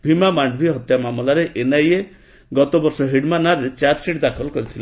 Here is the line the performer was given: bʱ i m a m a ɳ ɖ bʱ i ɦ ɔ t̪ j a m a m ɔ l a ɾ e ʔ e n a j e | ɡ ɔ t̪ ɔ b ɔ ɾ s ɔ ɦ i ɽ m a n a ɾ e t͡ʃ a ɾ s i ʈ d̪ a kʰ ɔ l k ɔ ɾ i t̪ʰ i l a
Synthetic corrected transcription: bʱ i m a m a ɳ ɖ bʱ i ɦ ɔ t̪ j a m a m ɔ l a ɾ e ʔ e n a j e | ɡ ɔ t̪ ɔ b ɔ ɾ s ɔ ɦ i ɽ m a n a ɾ e t͡ʃ a ɾ s i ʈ d̪ a kʰ ɔ l k ɔ ɾ i t̪ʰ i l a